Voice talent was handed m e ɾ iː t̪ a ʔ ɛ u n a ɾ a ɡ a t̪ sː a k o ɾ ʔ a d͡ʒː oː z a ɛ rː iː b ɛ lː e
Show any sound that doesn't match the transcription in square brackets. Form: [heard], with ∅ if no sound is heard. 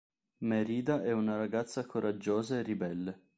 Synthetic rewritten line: m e ɾ iː [d̪] a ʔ ɛ u n a ɾ a ɡ a t̪ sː a k o ɾ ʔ a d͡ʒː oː z a [e] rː [i] b ɛ lː e

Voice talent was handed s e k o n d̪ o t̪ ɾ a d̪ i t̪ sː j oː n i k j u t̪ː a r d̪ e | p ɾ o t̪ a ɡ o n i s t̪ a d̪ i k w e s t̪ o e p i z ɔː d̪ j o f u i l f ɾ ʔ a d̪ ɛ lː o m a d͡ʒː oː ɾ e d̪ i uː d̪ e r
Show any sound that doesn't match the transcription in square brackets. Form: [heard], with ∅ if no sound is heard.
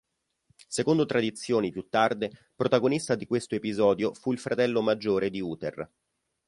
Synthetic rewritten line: s e k o n d̪ o t̪ ɾ a d̪ i t̪ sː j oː n i [p] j u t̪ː a r d̪ e | p ɾ o t̪ a ɡ o n i s t̪ a d̪ i k w e s t̪ o e p i z ɔː d̪ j o f u i l f ɾ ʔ a [t̪] ɛ lː o m a d͡ʒː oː ɾ e d̪ i uː [t̪] e r

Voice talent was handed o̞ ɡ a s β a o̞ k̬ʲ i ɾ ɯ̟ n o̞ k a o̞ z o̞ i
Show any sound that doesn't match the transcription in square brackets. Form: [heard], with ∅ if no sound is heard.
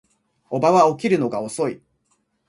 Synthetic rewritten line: o̞ [b] a [∅] β a o̞ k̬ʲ i ɾ ɯ̟ n o̞ [ɡ] a o̞ [s] o̞ i

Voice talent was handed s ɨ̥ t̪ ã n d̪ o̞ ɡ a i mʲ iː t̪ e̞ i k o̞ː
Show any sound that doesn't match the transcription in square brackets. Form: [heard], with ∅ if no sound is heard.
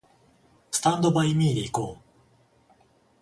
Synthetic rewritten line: s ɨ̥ t̪ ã n d̪ o̞ [b] a i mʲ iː [d̪] e̞ i k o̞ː

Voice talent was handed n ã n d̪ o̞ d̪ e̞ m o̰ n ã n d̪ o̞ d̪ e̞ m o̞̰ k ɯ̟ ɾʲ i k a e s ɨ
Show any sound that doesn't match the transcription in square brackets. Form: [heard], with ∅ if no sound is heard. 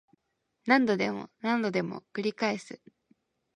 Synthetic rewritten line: n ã n d̪ o̞ d̪ e̞ m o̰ n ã n d̪ o̞ d̪ e̞ m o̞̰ k ɯ̟ ɾʲ i k a e s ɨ

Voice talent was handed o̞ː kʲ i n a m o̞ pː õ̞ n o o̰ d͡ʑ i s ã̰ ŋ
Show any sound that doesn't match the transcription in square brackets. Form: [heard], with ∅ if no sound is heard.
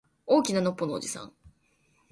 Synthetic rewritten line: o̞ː kʲ i n a [n] o̞ pː [o̞] n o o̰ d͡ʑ i s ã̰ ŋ

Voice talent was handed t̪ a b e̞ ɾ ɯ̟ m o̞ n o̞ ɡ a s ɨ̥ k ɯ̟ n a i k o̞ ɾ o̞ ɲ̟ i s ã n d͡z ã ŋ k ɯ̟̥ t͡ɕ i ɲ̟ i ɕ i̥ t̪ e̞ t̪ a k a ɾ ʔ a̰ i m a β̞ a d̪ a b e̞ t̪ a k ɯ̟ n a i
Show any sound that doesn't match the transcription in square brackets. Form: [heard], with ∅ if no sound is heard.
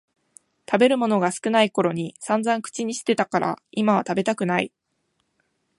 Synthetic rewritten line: t̪ a b e̞ ɾ ɯ̟ m o̞ n o̞ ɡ a s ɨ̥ k ɯ̟ n a i k o̞ ɾ o̞ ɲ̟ i s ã n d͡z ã ŋ k ɯ̟̥ t͡ɕ i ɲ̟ i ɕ i̥ t̪ e̞ t̪ a k a ɾ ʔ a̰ i m a β̞ a [t̪] a b e̞ t̪ a k ɯ̟ n a i

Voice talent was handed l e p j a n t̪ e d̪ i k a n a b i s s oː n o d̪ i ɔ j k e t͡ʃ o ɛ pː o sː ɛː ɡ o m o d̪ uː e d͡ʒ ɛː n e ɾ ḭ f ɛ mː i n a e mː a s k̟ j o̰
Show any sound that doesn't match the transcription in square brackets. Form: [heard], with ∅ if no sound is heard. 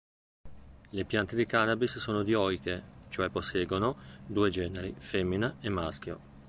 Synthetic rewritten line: l e p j a n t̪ e d̪ i k a n a b i s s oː n o d̪ i ɔ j k e t͡ʃ o ɛ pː o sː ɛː ɡ o [n] o d̪ uː e d͡ʒ ɛː n e ɾ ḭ f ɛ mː i n a e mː a s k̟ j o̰

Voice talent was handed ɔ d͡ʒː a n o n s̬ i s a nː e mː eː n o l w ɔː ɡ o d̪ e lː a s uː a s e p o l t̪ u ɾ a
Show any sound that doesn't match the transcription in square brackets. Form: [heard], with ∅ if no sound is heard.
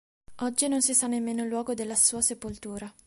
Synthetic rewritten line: ɔ d͡ʒː [i] n o n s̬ i s a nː e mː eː n o l w ɔː ɡ o d̪ e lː a s uː a s e p o l t̪ [uː] ɾ a

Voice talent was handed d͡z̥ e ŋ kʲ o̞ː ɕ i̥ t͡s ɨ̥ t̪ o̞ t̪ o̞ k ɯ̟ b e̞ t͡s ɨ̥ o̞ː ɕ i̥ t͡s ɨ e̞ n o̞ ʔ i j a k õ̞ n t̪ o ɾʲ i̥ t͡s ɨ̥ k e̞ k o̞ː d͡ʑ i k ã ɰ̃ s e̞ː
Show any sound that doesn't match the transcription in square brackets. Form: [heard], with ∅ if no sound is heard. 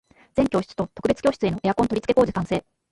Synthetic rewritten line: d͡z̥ e ŋ kʲ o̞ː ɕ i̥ t͡s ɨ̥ t̪ o̞ t̪ o̞ k ɯ̟ b e̞ t͡s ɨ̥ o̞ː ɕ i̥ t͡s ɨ e̞ n o̞ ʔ [e] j a k õ̞ n t̪ o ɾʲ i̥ t͡s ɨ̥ k e̞ k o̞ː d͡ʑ i k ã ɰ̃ s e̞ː

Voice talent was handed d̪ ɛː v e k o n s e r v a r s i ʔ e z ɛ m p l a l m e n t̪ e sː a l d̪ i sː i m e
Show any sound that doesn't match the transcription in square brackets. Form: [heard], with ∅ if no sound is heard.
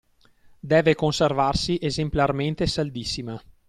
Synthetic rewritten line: d̪ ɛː v e k o n s e r v a r s i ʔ e z [e] m p l a [r] m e n t̪ e [s] a l d̪ i sː i m [a]

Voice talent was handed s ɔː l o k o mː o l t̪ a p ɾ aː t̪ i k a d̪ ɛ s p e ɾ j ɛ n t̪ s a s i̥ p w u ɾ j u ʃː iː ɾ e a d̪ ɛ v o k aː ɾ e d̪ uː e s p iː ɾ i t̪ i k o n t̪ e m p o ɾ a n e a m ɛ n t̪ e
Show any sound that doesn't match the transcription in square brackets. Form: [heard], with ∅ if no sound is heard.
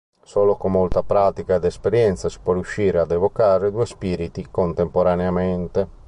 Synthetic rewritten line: s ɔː l o k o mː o l t̪ a p ɾ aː t̪ i k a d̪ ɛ s p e ɾ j ɛ n t̪ s a s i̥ p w [ɔ] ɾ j u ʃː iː ɾ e a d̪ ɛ v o k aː ɾ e d̪ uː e s p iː ɾ i t̪ i k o n t̪ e m p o ɾ a n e a m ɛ n t̪ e

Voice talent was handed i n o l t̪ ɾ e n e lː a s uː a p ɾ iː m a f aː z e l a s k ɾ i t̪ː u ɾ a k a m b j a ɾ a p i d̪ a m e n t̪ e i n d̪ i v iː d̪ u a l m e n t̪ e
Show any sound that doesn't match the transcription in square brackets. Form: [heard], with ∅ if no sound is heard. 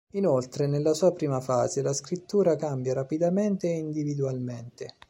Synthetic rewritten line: i n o l t̪ ɾ e n e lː a s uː a p ɾ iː m a f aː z e l a s k ɾ i t̪ː [uː] ɾ a k a m b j a ɾ a p i d̪ a m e n t̪ e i n d̪ i v [i] d̪ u a l m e n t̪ e

